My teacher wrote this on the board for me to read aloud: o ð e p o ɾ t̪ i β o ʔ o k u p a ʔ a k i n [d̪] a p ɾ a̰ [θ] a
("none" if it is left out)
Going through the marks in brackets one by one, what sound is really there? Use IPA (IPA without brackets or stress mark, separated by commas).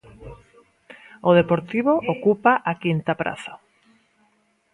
t̪, θ